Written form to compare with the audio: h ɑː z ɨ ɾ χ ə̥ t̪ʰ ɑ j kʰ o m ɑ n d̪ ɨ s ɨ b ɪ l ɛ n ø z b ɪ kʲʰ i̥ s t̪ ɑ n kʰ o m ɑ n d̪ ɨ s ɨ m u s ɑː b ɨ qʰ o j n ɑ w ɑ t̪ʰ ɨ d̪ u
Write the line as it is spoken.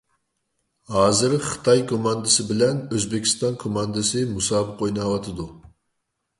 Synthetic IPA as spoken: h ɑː z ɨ ɾ χ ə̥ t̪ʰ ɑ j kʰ o m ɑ n d̪ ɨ s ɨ b ɪ l ɛ n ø z b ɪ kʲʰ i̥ s t̪ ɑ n kʰ o m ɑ n d̪ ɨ s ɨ m u s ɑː b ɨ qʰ o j n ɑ w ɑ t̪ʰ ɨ d̪ u